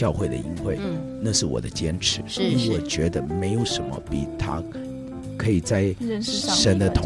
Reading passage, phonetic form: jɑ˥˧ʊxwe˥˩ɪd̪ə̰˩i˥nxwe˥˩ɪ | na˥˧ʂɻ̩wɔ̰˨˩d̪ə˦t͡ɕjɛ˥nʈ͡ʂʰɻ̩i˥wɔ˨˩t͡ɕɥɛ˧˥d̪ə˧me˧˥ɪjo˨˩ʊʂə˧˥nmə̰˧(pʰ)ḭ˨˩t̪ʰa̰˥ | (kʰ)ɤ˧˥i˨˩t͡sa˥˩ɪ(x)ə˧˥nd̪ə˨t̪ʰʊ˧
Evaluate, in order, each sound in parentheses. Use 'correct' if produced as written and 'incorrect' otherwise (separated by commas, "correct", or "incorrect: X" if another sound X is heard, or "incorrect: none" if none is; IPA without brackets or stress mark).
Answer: incorrect: p, correct, incorrect: ʂ